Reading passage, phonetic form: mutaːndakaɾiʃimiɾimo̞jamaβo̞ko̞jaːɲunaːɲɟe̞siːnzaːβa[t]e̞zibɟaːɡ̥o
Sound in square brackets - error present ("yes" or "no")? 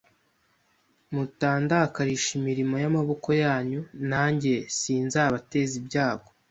no